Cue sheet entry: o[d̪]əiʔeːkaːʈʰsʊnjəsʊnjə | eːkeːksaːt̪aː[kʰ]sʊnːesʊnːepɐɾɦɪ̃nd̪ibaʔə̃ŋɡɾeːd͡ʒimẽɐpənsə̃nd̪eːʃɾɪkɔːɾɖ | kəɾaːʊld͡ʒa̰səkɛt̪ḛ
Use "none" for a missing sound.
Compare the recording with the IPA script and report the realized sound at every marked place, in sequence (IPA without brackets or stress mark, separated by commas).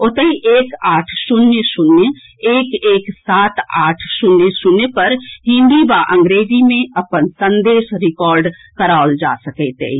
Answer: t̪, ʈʰ